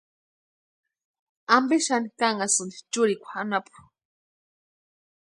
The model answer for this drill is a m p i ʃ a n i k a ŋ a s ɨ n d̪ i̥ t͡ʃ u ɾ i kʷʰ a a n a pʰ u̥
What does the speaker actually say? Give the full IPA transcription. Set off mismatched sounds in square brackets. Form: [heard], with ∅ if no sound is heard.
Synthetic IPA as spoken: a m [b] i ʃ a n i k a ŋ a s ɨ n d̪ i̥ t͡ʃ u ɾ i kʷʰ a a n a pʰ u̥